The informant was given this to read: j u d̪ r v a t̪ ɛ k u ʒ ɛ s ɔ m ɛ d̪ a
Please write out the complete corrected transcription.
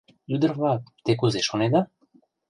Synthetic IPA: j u d̪ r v a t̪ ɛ k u z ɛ ʃ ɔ n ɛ d̪ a